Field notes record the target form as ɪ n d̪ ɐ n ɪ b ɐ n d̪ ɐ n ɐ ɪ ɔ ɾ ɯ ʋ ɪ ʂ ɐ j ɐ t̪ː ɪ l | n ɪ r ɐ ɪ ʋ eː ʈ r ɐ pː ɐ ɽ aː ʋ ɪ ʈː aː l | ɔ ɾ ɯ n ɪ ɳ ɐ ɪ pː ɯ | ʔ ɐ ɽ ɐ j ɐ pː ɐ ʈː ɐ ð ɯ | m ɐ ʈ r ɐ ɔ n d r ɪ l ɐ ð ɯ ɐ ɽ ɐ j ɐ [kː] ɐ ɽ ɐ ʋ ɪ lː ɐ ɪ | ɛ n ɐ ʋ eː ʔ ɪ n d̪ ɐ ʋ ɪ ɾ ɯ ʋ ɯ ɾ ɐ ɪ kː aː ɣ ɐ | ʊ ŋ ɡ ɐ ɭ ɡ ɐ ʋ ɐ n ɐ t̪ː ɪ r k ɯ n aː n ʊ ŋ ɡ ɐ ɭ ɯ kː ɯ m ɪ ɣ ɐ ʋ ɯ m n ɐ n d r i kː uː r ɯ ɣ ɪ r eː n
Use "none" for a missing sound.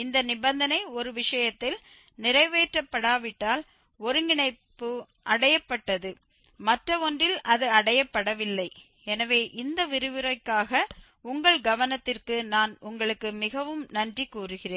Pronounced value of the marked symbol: pː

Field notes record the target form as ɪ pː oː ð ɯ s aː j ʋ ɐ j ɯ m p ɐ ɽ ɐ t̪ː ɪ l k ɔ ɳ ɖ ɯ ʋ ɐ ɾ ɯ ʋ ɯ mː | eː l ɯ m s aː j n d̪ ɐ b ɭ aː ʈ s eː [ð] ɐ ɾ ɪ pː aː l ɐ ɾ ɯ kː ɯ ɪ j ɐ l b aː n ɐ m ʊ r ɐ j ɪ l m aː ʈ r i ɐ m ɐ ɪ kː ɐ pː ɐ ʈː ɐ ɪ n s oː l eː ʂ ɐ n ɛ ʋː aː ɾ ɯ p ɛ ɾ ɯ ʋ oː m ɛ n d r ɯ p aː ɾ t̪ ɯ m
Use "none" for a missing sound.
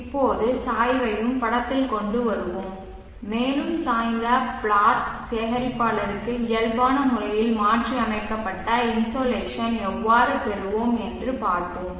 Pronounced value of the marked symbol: ɣ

